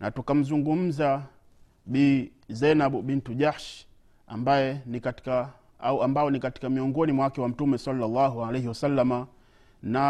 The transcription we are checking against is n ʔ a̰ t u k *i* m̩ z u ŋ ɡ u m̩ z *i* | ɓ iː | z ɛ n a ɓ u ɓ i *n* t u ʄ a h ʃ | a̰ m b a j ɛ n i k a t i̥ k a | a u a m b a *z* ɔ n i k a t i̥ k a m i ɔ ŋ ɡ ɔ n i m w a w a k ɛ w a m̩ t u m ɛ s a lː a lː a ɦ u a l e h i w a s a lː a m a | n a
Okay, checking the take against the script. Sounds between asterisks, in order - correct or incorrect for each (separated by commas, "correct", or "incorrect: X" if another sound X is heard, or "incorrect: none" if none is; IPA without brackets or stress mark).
incorrect: a, incorrect: a, correct, incorrect: none